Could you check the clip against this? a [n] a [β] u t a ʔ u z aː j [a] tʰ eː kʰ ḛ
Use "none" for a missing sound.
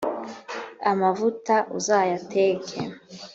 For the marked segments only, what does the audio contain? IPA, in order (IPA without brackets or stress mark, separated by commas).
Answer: m, v, a